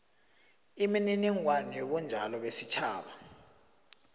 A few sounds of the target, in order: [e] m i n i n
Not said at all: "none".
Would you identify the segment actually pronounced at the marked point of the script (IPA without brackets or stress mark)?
i